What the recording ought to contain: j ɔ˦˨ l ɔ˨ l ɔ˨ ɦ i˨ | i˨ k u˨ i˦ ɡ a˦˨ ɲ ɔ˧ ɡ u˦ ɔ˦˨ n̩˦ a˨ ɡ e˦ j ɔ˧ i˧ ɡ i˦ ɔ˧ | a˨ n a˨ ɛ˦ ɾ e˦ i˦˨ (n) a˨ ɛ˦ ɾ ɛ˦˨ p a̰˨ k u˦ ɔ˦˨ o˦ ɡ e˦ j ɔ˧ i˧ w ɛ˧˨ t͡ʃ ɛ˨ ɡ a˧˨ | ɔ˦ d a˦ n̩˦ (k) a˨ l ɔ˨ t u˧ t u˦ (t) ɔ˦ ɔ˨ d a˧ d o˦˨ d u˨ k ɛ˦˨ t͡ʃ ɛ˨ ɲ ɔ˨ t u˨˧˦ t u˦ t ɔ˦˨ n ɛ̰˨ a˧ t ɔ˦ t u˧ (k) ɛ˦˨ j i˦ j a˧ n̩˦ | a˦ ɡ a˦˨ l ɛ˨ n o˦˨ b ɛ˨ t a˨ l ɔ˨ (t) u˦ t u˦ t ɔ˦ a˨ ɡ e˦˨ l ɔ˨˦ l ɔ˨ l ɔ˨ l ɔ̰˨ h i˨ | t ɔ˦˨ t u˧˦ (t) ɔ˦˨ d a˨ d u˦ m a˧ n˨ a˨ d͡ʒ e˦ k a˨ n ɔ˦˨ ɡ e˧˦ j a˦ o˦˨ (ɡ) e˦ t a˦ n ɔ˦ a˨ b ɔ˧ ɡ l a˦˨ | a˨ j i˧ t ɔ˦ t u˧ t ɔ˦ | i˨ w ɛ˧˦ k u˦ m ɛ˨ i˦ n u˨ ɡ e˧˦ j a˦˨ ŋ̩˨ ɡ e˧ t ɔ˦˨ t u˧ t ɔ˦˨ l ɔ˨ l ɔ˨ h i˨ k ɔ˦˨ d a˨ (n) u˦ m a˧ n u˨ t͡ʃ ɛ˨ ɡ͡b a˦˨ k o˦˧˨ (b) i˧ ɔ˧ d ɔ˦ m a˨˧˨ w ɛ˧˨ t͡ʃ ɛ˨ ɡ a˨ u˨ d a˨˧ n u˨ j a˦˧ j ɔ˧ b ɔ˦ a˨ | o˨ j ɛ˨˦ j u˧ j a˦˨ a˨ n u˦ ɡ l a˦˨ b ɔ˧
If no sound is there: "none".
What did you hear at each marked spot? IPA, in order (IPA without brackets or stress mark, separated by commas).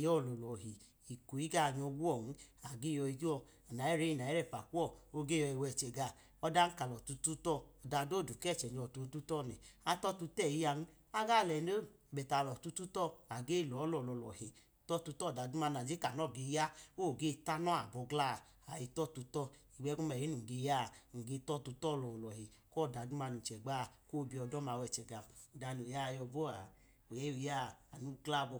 n, k, t, t, t, t, ɡ, d, b